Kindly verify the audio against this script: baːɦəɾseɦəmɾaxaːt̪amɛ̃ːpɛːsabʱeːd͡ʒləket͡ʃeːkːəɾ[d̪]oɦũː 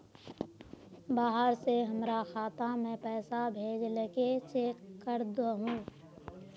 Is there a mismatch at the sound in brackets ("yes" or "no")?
no